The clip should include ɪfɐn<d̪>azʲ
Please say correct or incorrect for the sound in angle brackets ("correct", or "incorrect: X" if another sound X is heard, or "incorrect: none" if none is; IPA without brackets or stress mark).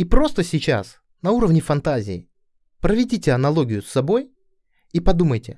incorrect: t̪